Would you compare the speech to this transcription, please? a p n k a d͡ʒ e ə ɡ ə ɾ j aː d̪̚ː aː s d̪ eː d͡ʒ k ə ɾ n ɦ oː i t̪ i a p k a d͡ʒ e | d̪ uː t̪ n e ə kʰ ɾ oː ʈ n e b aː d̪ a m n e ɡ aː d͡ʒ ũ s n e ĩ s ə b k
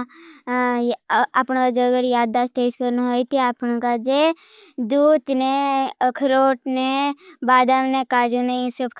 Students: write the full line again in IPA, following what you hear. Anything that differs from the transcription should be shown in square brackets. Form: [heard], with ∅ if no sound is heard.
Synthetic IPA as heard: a p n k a d͡ʒ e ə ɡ ə ɾ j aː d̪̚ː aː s [t̪] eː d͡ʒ k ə ɾ n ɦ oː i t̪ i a p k a d͡ʒ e | d̪ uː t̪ n e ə kʰ ɾ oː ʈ n e b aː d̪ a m n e [k] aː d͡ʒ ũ [∅] n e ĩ s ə b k